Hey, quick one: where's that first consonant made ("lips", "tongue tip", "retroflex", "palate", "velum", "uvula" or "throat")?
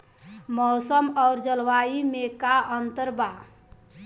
lips